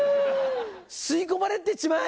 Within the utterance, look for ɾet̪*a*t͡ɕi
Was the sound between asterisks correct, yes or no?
no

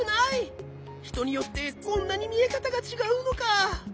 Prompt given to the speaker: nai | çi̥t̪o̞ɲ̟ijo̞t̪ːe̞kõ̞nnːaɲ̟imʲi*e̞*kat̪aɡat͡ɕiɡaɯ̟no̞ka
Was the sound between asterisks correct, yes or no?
yes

